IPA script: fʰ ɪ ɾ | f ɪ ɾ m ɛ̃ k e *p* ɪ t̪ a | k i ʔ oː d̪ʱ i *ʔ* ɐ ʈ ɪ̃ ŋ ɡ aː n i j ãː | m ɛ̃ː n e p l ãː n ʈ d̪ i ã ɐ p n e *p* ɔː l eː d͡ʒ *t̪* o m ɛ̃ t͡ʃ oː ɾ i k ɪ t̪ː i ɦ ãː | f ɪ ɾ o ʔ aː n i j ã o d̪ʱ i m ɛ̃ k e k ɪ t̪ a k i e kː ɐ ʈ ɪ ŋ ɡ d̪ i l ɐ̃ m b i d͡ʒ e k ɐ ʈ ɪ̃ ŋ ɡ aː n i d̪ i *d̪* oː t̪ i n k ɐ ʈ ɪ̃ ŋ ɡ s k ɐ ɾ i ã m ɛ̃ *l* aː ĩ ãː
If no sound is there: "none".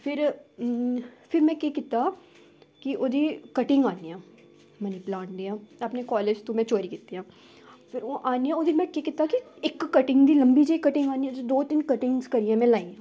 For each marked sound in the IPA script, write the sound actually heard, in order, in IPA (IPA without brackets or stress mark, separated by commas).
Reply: k, k, k, t̪, d̪, l